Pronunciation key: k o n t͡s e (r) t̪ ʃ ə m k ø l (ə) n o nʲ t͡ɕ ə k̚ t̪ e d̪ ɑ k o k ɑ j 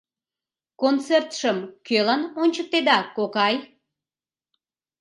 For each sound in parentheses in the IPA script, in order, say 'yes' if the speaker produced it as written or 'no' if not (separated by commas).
yes, no